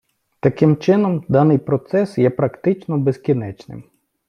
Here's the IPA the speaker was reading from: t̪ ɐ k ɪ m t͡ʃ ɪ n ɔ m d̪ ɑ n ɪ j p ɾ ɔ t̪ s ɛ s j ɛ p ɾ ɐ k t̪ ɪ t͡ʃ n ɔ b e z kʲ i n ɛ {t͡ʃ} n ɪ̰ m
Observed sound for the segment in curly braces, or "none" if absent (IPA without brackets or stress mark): t͡ʃ